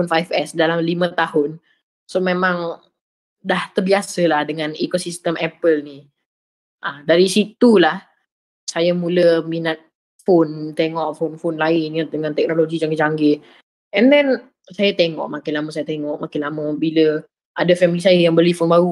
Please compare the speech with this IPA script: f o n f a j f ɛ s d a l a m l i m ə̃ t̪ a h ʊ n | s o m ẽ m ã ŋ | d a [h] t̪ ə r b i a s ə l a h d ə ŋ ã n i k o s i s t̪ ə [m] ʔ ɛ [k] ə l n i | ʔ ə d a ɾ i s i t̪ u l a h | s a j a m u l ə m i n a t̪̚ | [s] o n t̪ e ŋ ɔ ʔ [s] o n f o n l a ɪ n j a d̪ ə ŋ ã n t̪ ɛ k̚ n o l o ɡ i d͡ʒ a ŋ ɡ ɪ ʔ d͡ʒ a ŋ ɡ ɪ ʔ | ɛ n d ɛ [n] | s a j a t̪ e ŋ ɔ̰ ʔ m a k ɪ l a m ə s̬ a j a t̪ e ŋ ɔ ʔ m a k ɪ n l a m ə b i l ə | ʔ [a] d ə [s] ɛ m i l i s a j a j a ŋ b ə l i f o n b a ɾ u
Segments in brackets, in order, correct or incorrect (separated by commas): correct, correct, incorrect, incorrect, incorrect, correct, correct, incorrect